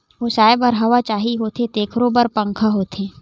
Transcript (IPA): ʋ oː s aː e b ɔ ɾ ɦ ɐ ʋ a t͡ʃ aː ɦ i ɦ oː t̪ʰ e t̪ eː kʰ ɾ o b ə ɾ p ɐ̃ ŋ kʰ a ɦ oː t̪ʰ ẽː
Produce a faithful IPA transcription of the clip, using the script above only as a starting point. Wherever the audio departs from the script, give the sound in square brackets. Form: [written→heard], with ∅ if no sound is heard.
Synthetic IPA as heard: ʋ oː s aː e b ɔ ɾ ɦ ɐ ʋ a t͡ʃ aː ɦ i ɦ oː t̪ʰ e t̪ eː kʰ ɾ o b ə ɾ p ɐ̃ ŋ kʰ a ɦ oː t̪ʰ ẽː